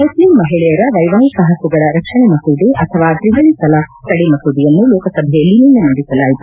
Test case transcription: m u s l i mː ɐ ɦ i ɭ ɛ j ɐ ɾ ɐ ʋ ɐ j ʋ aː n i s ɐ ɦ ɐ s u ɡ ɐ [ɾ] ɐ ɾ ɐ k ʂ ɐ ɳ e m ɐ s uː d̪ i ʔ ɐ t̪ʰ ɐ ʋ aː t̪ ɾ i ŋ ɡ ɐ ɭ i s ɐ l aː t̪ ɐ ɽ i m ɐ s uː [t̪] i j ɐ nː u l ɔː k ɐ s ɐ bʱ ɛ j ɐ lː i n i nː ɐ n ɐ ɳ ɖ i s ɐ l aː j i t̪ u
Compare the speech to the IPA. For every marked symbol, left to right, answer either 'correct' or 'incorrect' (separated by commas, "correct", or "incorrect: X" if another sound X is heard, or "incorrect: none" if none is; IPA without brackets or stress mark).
incorrect: ɭ, incorrect: d̪